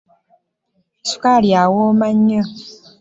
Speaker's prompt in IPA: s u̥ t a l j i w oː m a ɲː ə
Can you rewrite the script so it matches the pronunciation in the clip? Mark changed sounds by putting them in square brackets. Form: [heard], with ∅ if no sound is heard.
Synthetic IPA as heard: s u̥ [k] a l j [a] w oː m a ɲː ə